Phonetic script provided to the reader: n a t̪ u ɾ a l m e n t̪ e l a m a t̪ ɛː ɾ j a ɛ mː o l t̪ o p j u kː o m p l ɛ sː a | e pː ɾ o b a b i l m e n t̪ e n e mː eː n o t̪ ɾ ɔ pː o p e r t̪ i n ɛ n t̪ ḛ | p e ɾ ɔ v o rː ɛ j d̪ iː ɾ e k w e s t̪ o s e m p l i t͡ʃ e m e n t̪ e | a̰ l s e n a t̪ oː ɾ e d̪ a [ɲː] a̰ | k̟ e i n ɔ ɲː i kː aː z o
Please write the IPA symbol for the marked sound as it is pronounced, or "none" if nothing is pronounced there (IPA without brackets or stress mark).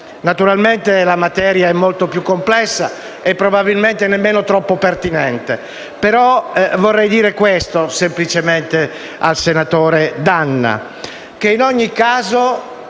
nː